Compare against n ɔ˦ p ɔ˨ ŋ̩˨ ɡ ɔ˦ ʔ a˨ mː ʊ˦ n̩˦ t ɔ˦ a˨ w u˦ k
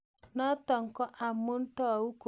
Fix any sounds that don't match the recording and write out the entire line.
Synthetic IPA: n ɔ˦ t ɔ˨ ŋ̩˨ k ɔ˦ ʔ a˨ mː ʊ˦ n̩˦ t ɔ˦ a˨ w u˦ k